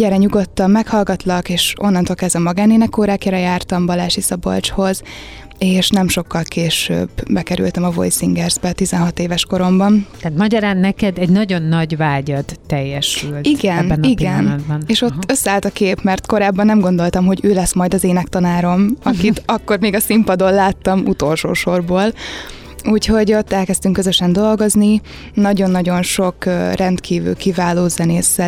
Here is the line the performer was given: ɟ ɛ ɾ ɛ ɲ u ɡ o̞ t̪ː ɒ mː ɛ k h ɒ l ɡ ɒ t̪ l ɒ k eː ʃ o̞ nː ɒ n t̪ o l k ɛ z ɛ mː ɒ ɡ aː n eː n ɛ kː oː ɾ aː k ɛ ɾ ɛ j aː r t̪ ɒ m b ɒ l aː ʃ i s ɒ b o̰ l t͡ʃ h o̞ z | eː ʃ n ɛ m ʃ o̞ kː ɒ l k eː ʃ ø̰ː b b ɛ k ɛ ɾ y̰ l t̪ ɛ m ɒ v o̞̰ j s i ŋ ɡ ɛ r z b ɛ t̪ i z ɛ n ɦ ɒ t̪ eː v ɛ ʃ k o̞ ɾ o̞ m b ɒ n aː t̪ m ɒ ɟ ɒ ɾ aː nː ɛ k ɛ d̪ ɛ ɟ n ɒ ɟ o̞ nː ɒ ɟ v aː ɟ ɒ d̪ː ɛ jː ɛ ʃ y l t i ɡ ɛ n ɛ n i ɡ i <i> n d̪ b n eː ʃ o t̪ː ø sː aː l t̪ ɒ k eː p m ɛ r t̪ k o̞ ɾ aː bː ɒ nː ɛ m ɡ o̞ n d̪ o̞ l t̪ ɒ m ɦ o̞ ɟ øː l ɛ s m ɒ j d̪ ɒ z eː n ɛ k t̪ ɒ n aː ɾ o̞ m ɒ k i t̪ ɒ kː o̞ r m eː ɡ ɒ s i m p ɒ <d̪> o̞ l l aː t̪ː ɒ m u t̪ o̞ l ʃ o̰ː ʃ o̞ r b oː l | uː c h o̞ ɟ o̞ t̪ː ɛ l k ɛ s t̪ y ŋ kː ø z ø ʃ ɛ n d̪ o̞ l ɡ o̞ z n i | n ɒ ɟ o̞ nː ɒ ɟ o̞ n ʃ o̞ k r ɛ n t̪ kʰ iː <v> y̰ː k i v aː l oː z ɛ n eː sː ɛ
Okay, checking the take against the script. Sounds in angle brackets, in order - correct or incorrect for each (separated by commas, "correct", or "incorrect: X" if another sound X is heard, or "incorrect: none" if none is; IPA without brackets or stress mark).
incorrect: ɛ, correct, correct